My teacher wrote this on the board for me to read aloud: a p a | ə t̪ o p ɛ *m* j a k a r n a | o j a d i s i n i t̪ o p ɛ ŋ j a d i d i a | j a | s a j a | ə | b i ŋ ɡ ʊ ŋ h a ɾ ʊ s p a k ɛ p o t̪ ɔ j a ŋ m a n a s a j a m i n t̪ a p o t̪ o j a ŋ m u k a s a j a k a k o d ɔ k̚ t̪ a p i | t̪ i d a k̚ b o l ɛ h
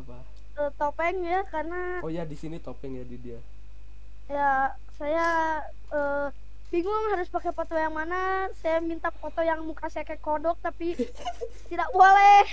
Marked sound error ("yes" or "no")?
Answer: yes